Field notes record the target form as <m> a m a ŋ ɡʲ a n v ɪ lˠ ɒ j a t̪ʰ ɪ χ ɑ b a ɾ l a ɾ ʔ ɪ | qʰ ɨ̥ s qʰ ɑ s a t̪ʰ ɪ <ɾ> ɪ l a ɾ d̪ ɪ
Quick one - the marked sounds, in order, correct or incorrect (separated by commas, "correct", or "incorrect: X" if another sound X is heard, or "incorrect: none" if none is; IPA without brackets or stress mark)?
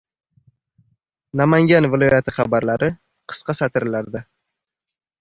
incorrect: n, correct